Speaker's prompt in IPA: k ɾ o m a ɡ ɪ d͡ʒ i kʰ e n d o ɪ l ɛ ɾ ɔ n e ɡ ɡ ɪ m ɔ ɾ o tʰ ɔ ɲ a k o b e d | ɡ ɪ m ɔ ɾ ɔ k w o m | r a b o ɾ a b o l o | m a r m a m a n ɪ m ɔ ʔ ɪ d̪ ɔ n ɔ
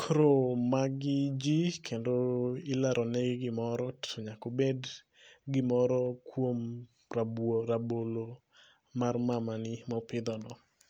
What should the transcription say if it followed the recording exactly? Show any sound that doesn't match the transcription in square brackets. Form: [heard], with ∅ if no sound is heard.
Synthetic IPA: k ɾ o m a ɡ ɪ d͡ʒ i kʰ e n d o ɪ l [a] ɾ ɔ n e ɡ ɡ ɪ m ɔ ɾ [ɔ] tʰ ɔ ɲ a k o b e d | ɡ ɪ m ɔ ɾ ɔ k w o m | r a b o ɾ a b o l o | m a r m a m a n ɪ m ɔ [p] ɪ d̪ ɔ n ɔ

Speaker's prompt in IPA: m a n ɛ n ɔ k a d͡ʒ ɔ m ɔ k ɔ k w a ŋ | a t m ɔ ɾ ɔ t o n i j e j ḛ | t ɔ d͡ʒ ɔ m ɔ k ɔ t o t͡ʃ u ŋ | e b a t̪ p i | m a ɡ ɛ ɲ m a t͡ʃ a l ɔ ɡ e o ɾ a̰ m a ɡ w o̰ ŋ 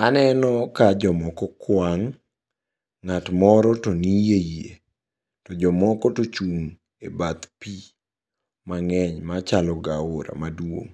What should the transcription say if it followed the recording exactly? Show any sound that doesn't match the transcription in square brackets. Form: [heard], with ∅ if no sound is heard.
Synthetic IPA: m a n ɛ n ɔ k a d͡ʒ ɔ m ɔ k ɔ k w a ŋ | a t m ɔ ɾ ɔ t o n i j e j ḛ | t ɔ d͡ʒ ɔ m ɔ k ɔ t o t͡ʃ u ŋ | e b a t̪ p i | m a [ŋ] ɛ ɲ m a t͡ʃ a l ɔ ɡ [a] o ɾ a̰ m a [d] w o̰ ŋ

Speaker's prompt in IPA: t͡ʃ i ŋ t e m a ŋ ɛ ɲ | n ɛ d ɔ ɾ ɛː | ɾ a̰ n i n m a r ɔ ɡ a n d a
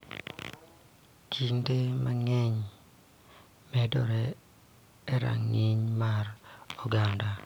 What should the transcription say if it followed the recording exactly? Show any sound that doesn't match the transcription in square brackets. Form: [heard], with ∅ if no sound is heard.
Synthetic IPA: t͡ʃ i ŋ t e m a ŋ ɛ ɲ | [m] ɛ d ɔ ɾ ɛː | ɾ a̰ [ŋ] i [ɲ] m a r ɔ ɡ a n d a

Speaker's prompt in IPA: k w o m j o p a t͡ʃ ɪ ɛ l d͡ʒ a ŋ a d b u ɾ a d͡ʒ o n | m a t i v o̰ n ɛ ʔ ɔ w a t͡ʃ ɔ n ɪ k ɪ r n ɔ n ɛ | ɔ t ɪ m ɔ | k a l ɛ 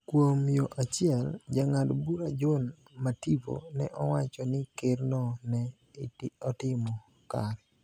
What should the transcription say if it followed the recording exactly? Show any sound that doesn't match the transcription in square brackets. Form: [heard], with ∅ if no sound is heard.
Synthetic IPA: k w o m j o [ʔ] a t͡ʃ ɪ ɛ l d͡ʒ a ŋ a d b u ɾ a d͡ʒ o n | m a t i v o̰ n ɛ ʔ ɔ w a t͡ʃ ɔ n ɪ k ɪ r n ɔ n ɛ | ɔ t ɪ m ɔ | k a [ɾ] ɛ

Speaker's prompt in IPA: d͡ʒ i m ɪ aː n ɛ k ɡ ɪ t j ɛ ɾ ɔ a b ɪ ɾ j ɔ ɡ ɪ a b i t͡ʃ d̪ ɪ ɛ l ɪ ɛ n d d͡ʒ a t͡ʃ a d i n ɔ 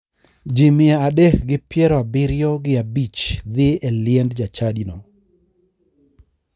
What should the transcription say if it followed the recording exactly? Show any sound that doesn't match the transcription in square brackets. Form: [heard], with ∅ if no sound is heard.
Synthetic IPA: d͡ʒ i m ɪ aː [d] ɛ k ɡ ɪ [p] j ɛ ɾ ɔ a b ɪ ɾ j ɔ ɡ ɪ a b i t͡ʃ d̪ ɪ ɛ l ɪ ɛ n d d͡ʒ a t͡ʃ a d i n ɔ

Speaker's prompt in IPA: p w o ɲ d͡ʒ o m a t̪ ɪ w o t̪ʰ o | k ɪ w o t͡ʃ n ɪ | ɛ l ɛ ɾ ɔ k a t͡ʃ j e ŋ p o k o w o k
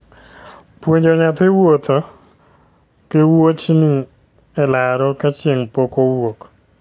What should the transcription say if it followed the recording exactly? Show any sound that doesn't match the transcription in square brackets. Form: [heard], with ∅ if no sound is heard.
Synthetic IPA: p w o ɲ d͡ʒ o [ɲ] a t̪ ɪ w o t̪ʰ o | k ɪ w o t͡ʃ n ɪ | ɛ l [a] ɾ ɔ k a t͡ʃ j e ŋ p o k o w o k

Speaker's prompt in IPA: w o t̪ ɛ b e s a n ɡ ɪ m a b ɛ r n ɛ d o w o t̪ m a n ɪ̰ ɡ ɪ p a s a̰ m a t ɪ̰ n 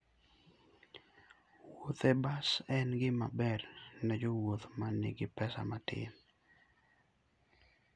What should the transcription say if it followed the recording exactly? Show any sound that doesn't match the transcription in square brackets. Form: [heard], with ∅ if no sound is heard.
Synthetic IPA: w o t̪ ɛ b [a] s [ɛ] n ɡ ɪ m a b ɛ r n ɛ [d͡ʒ] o w o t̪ m a n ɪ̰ ɡ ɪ p [ɛ] s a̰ m a t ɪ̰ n

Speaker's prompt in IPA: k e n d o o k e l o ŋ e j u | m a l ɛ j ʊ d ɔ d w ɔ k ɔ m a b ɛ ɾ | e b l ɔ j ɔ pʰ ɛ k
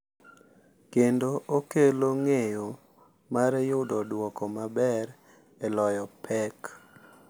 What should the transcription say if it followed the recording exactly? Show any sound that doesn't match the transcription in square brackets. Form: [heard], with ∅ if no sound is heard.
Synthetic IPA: k e n d o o k e l o ŋ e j [o] | m a [ɾ] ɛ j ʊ d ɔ d w ɔ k ɔ m a b ɛ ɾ | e [∅] l ɔ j ɔ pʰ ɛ k

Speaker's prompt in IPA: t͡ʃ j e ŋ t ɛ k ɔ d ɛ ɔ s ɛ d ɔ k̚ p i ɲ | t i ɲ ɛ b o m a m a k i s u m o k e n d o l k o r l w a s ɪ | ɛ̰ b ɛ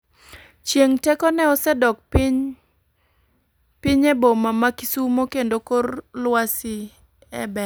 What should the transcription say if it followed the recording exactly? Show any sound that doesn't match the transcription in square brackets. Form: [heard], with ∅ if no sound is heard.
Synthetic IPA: t͡ʃ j e ŋ t ɛ k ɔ [n] ɛ ɔ s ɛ d ɔ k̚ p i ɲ | [p] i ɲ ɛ b o m a m a k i s u m o k e n d o [∅] k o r l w a s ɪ | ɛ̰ b ɛ

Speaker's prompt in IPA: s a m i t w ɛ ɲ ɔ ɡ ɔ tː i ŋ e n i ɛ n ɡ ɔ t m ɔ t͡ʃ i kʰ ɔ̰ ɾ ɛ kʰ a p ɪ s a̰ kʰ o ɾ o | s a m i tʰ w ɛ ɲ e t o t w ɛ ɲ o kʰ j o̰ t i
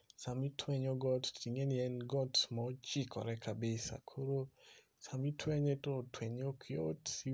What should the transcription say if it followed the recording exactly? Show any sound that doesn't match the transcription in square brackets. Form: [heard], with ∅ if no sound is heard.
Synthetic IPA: s a m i t w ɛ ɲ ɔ ɡ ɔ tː i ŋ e n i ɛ n ɡ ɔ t m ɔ t͡ʃ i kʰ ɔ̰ ɾ ɛ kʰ a [b] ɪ s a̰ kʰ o ɾ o | s a m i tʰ w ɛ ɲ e t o t w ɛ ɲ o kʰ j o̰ t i

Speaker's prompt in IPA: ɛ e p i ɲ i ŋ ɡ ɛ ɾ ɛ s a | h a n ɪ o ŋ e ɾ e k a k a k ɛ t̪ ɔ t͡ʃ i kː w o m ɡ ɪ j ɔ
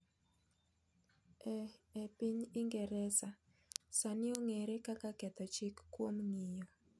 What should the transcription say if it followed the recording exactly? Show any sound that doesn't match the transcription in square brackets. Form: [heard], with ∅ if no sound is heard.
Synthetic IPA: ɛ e p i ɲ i ŋ ɡ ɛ ɾ ɛ s a | [s] a n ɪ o ŋ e ɾ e k a k a k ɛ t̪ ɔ t͡ʃ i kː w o m [ŋ] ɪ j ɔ

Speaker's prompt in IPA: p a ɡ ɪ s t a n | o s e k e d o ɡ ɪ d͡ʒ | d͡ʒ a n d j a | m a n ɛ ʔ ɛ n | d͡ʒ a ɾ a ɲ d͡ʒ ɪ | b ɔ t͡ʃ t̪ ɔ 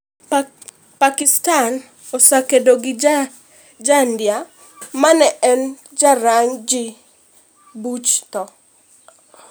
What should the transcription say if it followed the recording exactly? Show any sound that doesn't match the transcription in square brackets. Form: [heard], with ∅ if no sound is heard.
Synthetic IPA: p a [k] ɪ s t a n | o s [a] k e d o ɡ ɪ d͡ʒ | d͡ʒ a n d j a | m a n ɛ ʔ ɛ n | d͡ʒ a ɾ a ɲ d͡ʒ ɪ | b [u] t͡ʃ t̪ ɔ

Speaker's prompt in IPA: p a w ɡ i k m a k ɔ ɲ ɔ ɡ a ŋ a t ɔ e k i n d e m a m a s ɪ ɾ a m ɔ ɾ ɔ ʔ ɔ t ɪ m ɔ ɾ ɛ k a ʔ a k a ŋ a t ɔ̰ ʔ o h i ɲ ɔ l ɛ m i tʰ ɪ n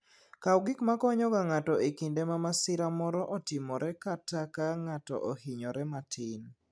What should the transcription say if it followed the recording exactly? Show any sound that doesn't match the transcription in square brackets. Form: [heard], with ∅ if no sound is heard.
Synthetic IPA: [k] a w ɡ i k m a k ɔ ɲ ɔ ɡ a ŋ a t ɔ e k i n d e m a m a s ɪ ɾ a m ɔ ɾ ɔ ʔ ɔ t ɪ m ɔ ɾ ɛ k a [t] a k a ŋ a t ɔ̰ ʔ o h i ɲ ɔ [ɾ] ɛ m [a] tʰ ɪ n

